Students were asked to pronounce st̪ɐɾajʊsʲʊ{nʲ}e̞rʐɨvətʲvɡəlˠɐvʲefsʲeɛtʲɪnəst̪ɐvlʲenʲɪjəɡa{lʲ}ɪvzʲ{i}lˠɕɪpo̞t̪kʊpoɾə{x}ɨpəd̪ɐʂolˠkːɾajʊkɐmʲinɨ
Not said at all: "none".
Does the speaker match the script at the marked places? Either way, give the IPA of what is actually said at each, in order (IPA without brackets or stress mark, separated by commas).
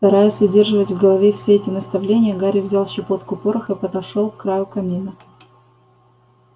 dʲ, ɾʲ, a, x